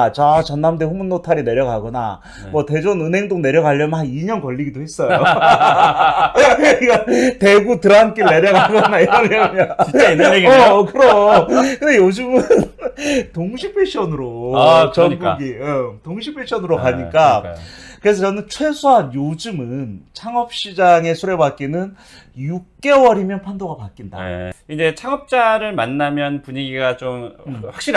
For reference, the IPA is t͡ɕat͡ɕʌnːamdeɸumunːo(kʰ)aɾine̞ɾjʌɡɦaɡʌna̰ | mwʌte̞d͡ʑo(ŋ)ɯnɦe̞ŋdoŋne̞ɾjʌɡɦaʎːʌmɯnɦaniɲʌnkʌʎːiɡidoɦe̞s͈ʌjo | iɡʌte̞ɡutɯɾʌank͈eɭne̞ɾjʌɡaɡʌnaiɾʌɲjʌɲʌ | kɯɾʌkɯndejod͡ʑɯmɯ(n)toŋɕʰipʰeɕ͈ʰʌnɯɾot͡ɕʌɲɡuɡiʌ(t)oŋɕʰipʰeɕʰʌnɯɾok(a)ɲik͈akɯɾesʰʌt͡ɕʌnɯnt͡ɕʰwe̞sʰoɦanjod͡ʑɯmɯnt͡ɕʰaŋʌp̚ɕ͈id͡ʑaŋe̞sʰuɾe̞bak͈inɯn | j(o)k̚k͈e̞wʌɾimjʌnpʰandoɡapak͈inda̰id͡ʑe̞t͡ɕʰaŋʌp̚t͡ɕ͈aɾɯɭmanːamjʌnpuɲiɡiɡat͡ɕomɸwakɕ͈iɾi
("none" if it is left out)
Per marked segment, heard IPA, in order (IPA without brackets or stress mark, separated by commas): tʰ, n, n, t, a, u